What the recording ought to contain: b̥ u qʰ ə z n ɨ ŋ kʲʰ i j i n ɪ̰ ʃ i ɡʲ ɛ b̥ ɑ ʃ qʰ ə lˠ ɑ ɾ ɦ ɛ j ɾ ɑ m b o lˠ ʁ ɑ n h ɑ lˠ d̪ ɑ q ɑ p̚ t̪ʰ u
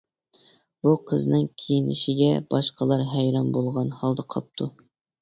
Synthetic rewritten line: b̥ u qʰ ə z n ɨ ŋ kʲʰ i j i n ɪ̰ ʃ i ɡʲ ɛ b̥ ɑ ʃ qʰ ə lˠ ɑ ɾ ɦ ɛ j ɾ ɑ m b o lˠ ʁ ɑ n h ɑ lˠ d̪ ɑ qʰ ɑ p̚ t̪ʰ u